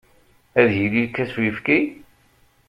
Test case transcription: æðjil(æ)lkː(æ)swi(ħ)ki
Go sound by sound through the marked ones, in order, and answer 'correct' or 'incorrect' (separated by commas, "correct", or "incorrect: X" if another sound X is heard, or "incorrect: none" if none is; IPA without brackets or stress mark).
incorrect: i, correct, incorrect: f